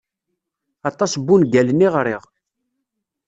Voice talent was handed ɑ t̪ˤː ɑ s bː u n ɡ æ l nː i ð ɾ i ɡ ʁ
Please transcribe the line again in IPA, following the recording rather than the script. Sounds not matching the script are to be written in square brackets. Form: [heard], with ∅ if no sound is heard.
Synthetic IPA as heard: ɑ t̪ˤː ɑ s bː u n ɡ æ l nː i [ʁ] ɾ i [∅] ʁ